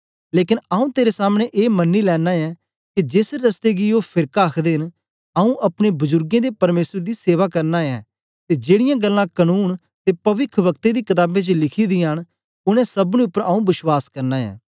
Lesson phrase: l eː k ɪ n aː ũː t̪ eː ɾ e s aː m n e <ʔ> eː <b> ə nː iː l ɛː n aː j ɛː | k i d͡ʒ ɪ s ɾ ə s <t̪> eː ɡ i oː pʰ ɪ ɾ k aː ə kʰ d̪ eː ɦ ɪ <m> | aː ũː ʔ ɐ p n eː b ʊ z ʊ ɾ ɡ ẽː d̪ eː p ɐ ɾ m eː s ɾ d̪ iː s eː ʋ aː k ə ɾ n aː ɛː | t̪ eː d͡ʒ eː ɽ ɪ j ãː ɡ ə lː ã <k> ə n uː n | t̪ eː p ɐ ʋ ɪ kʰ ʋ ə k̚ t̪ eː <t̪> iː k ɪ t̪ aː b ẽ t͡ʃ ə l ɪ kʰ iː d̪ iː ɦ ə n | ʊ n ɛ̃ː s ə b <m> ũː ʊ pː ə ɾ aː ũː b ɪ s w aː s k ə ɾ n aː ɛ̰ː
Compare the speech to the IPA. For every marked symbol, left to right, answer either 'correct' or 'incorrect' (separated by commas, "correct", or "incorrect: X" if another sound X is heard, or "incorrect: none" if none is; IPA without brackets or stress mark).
correct, incorrect: m, correct, incorrect: n, correct, incorrect: d̪, incorrect: n